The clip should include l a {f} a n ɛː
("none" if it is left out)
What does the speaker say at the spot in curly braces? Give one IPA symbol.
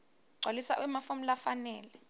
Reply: f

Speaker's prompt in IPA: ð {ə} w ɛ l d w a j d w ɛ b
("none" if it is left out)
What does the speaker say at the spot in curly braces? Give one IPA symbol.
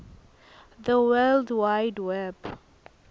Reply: ə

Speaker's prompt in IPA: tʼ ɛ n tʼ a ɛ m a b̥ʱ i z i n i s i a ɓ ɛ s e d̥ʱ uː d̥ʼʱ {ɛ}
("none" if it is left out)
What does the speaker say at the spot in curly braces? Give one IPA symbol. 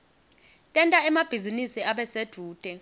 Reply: ɛ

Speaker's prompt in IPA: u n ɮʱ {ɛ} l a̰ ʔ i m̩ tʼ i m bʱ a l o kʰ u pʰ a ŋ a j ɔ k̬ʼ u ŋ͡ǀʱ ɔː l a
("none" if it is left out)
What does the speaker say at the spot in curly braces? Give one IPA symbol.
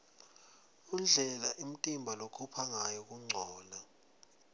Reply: ɛ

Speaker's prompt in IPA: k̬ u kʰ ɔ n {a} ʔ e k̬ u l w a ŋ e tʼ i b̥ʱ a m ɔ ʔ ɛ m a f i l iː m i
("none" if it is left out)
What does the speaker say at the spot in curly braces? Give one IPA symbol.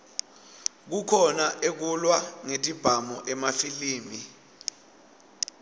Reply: a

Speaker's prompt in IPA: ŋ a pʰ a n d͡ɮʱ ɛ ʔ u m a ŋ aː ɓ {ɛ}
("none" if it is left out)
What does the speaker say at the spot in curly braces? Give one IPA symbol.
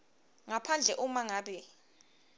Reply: ɛ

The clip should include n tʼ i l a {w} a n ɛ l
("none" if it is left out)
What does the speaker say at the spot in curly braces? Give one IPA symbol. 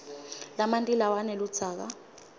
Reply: w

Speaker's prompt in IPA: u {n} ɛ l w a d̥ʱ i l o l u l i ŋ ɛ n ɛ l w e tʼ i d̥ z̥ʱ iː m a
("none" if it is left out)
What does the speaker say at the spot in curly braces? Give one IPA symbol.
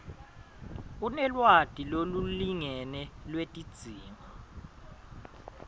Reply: n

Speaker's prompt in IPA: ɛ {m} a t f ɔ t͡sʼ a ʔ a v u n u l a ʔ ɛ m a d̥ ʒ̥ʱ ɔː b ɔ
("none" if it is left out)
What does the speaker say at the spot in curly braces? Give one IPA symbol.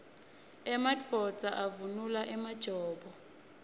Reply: m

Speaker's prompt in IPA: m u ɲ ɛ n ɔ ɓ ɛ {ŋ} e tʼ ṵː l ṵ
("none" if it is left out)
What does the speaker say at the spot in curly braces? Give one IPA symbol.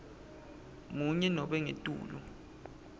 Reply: ŋ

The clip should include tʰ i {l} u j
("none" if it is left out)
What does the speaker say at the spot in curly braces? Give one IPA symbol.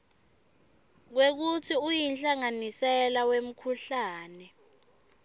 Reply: none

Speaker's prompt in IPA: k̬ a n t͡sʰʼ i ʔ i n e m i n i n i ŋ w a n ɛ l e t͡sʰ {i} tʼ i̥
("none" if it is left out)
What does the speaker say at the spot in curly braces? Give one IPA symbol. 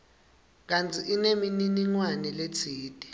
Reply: iː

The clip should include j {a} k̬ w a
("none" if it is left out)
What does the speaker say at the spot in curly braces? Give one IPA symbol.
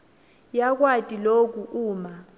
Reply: a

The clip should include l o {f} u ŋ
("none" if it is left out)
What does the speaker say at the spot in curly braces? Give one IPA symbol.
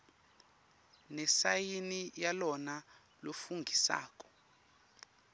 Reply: f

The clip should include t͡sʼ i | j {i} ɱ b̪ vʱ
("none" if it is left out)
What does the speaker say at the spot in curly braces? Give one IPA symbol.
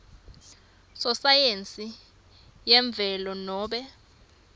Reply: ɛ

